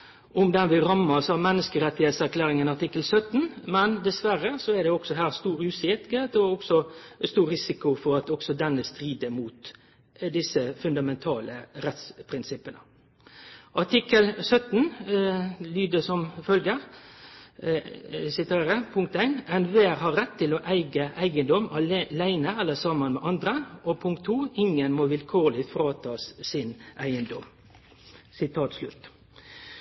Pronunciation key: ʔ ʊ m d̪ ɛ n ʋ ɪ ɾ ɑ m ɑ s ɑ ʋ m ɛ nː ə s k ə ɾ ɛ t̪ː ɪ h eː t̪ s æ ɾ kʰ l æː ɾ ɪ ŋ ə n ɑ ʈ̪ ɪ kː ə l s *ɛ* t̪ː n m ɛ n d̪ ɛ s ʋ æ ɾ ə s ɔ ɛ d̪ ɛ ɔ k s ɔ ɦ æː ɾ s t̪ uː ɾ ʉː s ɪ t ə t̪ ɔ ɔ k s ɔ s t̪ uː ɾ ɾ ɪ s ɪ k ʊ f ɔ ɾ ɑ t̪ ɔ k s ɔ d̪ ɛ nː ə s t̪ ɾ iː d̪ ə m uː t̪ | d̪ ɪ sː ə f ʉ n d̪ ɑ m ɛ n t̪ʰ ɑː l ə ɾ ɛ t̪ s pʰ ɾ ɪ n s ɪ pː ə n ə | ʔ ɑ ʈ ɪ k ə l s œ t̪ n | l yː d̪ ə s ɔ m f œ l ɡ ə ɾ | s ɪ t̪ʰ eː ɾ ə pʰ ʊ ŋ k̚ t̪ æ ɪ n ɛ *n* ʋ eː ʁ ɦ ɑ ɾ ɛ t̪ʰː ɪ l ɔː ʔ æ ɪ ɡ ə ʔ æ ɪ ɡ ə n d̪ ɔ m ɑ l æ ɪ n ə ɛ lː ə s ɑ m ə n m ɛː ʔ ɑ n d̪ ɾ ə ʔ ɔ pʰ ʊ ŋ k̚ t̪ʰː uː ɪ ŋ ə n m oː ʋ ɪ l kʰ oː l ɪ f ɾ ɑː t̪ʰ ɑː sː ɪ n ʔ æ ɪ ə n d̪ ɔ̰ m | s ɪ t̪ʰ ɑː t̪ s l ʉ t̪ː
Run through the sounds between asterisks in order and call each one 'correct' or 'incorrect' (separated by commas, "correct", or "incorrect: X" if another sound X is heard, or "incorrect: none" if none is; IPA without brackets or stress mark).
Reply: incorrect: œ, correct